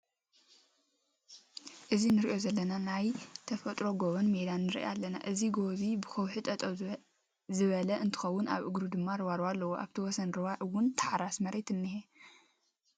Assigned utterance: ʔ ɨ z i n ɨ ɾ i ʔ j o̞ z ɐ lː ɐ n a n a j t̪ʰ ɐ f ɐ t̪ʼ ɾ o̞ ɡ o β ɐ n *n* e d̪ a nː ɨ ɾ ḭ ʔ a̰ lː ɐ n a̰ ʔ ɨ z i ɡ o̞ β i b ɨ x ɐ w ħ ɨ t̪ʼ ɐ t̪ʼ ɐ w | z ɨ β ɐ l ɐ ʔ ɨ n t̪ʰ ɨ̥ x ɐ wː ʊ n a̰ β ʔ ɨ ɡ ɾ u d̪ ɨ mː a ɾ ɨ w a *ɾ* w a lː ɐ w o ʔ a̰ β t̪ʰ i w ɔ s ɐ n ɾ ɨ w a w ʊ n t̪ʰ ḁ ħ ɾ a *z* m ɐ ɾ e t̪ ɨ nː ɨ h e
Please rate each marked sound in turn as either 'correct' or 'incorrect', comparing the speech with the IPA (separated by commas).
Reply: incorrect, correct, incorrect